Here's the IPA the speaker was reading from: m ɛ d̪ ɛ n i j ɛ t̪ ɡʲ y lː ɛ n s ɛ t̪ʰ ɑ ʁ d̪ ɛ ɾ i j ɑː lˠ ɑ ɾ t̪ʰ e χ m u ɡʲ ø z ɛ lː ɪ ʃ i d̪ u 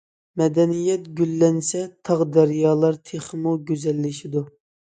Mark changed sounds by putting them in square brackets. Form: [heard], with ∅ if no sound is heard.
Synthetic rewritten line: m ɛ d̪ ɛ n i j ɛ t̪ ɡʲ y lː ɛ n s ɛ t̪ʰ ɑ ʁ d̪ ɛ ɾ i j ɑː lˠ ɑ ɾ t̪ʰ e χ m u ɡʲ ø z ɛ lː ɪ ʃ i d̪ u

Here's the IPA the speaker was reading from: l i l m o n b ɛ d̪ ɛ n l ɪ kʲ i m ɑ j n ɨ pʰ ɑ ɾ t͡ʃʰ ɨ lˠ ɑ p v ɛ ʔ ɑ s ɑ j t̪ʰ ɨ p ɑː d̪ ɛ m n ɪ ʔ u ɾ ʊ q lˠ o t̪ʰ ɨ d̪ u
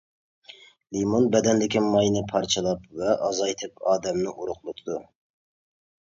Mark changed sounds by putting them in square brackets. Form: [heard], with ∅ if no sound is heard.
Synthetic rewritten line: l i [∅] m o n b ɛ d̪ ɛ n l ɪ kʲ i m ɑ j n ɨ pʰ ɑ ɾ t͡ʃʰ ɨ lˠ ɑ p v ɛ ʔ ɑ [z] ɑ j t̪ʰ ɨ p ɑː d̪ ɛ m n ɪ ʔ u ɾ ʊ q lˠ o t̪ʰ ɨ d̪ u

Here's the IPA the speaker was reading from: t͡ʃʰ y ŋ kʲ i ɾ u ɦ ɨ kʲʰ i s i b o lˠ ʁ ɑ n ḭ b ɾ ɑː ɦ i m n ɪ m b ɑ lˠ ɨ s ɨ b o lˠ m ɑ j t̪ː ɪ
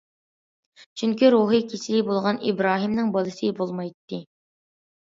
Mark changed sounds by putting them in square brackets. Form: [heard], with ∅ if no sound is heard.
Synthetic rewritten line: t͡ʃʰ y ŋ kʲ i ɾ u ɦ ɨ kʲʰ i s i b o lˠ ʁ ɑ n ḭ b ɾ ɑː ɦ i m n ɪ [ŋ] b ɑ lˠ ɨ s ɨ b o lˠ m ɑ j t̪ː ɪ

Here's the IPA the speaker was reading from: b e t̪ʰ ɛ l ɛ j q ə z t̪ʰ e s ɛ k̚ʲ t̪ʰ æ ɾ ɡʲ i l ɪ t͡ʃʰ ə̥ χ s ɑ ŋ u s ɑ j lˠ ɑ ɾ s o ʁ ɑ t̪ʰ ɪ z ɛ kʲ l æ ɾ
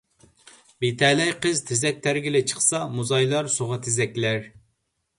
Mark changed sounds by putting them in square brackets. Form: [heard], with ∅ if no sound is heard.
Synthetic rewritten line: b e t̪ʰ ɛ l ɛ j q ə z t̪ʰ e [z] ɛ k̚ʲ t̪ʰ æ ɾ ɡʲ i l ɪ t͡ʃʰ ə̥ χ s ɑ [m] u [z] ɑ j lˠ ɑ ɾ s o ʁ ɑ t̪ʰ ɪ z ɛ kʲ l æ ɾ

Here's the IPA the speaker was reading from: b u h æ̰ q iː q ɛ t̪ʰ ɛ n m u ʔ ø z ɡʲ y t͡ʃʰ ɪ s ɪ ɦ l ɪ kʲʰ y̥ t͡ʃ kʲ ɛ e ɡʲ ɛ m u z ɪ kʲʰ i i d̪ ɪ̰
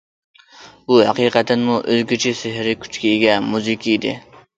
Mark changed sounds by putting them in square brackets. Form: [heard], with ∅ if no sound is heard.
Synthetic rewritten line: b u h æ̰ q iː q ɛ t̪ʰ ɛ n m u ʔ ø z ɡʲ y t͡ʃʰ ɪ s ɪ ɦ [ɾ] ɪ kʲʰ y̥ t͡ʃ kʲ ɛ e ɡʲ ɛ m u z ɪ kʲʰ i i d̪ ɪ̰

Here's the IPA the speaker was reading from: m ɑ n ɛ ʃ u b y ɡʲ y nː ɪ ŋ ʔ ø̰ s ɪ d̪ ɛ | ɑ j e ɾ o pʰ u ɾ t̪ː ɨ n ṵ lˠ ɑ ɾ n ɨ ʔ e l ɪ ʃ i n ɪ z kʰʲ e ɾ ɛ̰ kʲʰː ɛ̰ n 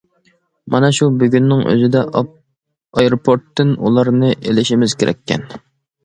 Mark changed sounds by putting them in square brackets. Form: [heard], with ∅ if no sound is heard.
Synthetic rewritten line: m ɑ n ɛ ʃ u b y ɡʲ y nː ɪ ŋ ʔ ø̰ [z] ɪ d̪ ɛ | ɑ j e ɾ o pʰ [o] ɾ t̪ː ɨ n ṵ lˠ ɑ ɾ n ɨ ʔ e l ɪ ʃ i [m] ɪ z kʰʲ e ɾ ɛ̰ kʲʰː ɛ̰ n

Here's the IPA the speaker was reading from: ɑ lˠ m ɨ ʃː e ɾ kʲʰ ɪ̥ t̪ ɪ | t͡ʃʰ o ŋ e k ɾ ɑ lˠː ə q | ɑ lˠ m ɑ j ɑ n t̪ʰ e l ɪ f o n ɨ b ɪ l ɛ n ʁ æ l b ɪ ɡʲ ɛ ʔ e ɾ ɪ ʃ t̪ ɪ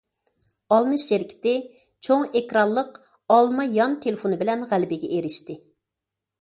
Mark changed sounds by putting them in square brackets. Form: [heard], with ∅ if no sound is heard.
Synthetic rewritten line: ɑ lˠ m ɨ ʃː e ɾ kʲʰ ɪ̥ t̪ ɪ | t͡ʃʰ o ŋ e k ɾ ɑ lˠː ə q | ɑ lˠ m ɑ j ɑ n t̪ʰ e l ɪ f o n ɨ b ɪ l ɛ n ʁ æ l b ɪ ɡʲ ɛ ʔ e ɾ ɪ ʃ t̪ ɪ

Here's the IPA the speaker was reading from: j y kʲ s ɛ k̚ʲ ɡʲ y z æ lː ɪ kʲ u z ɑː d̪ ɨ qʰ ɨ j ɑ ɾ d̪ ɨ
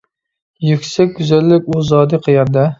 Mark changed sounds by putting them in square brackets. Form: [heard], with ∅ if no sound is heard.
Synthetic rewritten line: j y kʲ s ɛ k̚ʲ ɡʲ y z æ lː ɪ kʲ u z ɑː d̪ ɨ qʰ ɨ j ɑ ɾ d̪ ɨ

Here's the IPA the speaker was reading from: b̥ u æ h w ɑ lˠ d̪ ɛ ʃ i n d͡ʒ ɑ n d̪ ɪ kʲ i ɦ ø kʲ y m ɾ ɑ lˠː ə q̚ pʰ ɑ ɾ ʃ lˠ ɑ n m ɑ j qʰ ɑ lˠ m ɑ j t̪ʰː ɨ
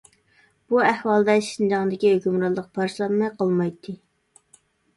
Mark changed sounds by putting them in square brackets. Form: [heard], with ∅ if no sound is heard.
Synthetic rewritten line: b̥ u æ h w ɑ lˠ d̪ ɛ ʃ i n d͡ʒ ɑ [ŋ] d̪ ɪ kʲ i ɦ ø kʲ y m ɾ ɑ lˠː ə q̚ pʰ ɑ ɾ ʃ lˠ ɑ n m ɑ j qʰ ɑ lˠ m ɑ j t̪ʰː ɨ

